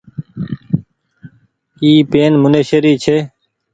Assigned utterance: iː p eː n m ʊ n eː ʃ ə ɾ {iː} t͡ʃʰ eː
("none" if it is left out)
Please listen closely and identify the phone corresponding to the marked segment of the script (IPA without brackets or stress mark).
iː